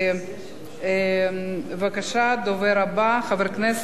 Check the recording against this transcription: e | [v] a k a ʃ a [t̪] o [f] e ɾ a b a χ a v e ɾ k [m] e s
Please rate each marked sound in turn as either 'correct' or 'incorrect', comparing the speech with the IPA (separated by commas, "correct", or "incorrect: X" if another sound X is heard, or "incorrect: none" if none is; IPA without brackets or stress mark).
correct, incorrect: d̪, incorrect: v, incorrect: n